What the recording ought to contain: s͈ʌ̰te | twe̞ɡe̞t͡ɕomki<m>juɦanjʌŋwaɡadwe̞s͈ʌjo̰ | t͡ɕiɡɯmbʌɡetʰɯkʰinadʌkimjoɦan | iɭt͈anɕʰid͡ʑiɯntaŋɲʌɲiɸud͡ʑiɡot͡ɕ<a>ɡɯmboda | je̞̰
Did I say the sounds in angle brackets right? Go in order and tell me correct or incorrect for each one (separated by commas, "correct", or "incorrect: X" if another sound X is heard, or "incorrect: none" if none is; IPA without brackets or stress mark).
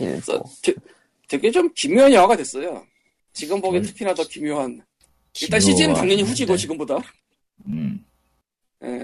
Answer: correct, incorrect: i